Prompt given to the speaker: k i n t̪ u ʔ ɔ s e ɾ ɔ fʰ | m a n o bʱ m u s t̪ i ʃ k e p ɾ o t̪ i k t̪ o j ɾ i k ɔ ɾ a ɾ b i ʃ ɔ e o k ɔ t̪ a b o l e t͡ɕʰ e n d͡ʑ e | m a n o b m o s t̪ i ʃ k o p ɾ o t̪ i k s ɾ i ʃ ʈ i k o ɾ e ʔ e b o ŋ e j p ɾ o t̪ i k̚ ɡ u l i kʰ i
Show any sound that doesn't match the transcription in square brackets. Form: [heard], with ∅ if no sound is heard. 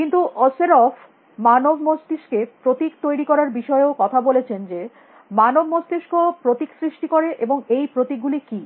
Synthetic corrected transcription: k i n t̪ u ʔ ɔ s e ɾ ɔ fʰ | m a n o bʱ m [o] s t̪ i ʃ k e p ɾ o t̪ i k t̪ o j ɾ i k ɔ ɾ a ɾ b i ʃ ɔ e o k ɔ [t̪ʰ] a b o l e t͡ɕʰ e n d͡ʑ e | m a n o b m o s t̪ i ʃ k o p ɾ o t̪ i k s ɾ i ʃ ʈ i k o ɾ e ʔ e b o ŋ e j p ɾ o t̪ i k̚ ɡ u l i [k] i